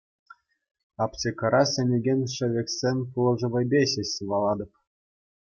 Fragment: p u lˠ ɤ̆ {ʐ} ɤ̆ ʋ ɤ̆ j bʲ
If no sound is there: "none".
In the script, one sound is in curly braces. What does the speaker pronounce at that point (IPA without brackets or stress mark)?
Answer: ʐ